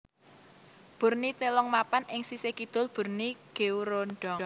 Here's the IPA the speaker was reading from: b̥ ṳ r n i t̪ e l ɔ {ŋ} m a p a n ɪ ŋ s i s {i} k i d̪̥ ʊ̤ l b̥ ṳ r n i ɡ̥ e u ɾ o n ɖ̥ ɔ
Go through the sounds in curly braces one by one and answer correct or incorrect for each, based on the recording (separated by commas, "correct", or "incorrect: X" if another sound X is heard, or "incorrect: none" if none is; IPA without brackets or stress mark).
correct, incorrect: e